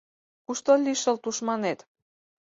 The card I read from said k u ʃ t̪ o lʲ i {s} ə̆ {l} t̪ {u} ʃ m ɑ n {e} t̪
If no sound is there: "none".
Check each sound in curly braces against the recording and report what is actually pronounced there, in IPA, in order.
ʃ, l, u, e

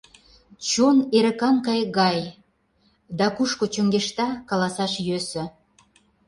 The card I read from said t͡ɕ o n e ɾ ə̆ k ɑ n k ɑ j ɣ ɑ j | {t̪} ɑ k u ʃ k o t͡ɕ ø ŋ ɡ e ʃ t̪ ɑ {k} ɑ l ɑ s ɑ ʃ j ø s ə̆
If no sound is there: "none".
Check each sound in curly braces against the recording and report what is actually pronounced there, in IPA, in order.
d̪, k

